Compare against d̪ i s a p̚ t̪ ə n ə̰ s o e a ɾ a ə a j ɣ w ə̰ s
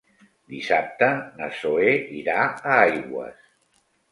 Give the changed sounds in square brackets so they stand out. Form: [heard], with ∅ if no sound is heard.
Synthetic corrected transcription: d̪ i s a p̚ t̪ ə n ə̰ s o e [i] ɾ a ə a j ɣ w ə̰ s